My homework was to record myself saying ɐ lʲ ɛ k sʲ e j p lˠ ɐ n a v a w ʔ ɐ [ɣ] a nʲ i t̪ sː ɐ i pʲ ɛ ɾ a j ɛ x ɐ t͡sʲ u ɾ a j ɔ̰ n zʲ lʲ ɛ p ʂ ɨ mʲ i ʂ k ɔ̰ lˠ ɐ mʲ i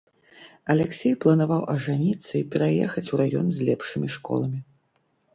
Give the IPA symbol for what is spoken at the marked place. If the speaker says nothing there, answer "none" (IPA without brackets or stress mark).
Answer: ʐ